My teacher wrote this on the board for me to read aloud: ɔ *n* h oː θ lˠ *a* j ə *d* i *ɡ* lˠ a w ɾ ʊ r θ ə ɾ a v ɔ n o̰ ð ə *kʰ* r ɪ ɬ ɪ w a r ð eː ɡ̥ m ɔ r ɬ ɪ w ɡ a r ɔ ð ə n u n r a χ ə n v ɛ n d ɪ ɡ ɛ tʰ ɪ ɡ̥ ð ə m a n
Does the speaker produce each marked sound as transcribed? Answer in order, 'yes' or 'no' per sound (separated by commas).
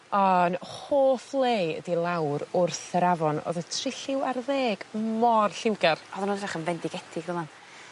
yes, no, yes, no, no